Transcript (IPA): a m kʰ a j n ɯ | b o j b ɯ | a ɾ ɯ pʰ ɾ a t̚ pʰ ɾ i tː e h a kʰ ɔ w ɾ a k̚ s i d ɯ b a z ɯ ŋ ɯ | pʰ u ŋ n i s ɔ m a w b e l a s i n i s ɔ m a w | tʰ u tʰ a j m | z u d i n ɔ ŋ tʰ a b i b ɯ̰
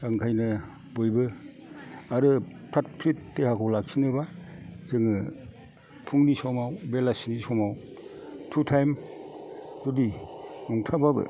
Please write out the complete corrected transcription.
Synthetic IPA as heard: a ŋ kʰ a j n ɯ | b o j b ɯ | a ɾ ɯ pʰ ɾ a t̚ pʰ ɾ i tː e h a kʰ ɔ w l a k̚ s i n ɯ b a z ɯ ŋ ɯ | pʰ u ŋ n i s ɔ m a w b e l a s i n i s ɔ m a w | tʰ u tʰ a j m | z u d i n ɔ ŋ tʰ a b a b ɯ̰

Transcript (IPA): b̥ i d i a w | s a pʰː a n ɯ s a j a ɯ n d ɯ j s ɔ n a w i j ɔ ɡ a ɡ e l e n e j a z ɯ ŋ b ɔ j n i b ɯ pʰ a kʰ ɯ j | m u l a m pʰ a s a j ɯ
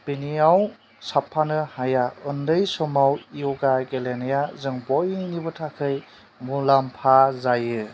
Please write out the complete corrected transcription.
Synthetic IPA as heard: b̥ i n i a w | s a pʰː a n ɯ h a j a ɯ n d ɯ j s ɔ m a w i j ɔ ɡ a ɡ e l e n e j a z ɯ ŋ b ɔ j n i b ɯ tʰ a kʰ ɯ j | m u l a m pʰ a z a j ɯ

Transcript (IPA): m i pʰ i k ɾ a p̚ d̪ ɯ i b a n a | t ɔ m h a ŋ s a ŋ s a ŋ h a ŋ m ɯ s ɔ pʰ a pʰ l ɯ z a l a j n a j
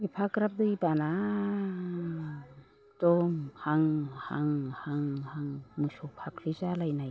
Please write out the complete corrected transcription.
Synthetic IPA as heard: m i pʰ a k ɾ a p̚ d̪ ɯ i b a n a | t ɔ m h a ŋ h a ŋ h a ŋ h a ŋ m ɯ s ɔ pʰ a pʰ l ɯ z a l a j n a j

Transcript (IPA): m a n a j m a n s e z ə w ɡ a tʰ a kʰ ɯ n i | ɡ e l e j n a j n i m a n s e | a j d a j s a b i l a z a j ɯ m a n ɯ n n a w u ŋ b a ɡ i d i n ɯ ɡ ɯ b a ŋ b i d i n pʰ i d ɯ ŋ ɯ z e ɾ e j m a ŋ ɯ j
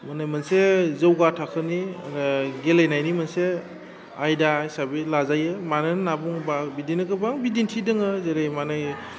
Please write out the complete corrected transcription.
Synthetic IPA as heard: m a n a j m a n s e z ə w ɡ a tʰ a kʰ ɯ n i | ɡ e l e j n a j n i m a n s e | a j d a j s a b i l a z a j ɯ m a n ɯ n n a b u ŋ b a b i d i n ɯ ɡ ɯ b a ŋ b i d i n tʰ i d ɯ ŋ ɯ z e ɾ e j m a n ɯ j

